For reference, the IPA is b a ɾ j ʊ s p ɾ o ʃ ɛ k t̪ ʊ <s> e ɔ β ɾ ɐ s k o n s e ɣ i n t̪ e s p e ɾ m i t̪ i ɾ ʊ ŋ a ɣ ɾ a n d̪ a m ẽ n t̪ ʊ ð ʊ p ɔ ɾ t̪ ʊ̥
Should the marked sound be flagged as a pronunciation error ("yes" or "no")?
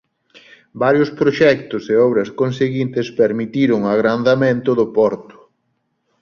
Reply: no